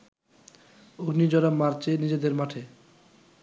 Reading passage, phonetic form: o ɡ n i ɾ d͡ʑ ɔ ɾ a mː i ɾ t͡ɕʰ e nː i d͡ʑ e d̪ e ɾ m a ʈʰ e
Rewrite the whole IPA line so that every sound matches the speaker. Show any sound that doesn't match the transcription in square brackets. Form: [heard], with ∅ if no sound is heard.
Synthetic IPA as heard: o ɡ n i [∅] d͡ʑ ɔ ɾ a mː [a] ɾ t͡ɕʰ e [n] i d͡ʑ e d̪ e ɾ m a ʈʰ e